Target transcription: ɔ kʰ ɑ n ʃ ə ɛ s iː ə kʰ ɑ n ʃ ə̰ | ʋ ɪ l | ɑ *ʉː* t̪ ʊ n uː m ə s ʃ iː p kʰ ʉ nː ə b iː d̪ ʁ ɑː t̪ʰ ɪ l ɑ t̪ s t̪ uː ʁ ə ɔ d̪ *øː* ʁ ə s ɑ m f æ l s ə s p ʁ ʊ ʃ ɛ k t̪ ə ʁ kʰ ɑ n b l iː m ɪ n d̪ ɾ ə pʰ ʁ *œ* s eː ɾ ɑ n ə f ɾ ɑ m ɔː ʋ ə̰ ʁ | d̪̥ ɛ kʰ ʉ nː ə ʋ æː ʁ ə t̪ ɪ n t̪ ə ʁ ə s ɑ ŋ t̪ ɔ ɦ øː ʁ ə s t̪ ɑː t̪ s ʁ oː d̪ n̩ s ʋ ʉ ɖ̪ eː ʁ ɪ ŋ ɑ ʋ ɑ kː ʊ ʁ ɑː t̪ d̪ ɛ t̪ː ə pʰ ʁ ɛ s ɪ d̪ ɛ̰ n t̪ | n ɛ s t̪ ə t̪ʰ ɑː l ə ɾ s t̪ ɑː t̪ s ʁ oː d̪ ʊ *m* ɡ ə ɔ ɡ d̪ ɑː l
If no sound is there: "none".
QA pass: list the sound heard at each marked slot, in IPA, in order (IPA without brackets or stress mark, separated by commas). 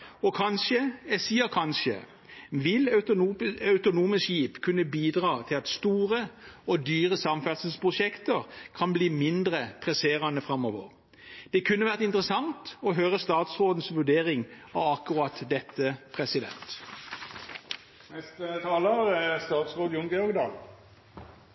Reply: ʉ, yː, ɛ, ŋ